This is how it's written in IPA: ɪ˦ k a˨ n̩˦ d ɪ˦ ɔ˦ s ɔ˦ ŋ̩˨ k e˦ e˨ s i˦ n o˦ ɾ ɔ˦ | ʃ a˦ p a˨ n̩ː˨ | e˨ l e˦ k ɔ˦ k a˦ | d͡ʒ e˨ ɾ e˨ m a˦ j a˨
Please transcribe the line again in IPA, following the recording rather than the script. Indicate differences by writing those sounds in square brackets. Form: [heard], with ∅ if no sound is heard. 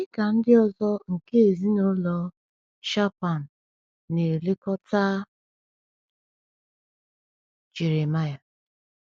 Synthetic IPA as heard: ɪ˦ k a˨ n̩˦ d ɪ˦ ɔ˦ [z] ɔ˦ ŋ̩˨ k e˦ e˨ [z] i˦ n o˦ [l] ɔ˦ | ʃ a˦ p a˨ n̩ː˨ | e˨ l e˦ k ɔ˦ [t] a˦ | d͡ʒ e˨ ɾ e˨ m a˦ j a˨